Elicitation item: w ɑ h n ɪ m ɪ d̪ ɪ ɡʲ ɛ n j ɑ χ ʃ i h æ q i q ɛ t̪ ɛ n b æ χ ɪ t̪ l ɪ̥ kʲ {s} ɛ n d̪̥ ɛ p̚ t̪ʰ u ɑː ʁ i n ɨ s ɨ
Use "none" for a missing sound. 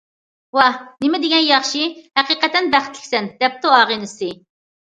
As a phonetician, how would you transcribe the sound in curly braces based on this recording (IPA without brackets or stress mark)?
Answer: s